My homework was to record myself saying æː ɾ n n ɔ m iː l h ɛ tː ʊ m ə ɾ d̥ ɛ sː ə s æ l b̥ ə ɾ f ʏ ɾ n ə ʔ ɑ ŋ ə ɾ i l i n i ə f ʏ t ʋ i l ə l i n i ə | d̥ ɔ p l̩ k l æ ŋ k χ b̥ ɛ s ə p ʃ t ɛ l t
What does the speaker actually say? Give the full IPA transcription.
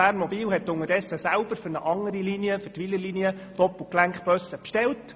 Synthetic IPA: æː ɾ n m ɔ b iː l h ɛ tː ʊ ŋ ə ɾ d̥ ɛ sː ə s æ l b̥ ə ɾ f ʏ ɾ n ə ʔ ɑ ŋ ə ɾ i l i n i ə f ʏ t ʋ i l ə l i n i ə | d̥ ɔ p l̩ k l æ ŋ k χ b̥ œ s ə p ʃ t ɛ l t

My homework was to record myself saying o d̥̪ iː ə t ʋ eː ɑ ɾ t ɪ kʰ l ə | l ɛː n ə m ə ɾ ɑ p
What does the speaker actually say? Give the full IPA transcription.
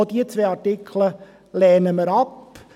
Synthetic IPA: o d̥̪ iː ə t͡s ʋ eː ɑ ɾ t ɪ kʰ l ə | l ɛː n ə m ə ɾ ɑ p

